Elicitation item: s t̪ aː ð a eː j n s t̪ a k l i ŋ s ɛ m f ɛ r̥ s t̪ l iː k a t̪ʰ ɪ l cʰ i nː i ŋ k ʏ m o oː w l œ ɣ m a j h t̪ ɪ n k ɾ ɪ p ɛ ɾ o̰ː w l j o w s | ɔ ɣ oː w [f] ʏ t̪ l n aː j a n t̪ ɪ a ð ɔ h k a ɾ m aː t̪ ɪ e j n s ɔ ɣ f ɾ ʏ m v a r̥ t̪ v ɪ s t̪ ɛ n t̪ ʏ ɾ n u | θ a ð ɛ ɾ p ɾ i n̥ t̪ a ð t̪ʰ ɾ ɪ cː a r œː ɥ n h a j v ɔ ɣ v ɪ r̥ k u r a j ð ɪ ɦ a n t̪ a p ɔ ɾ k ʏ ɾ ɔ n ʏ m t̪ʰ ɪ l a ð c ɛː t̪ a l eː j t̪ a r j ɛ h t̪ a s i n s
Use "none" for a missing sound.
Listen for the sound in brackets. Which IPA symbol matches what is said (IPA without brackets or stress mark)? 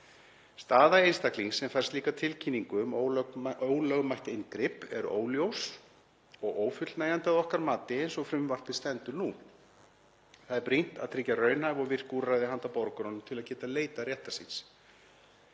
f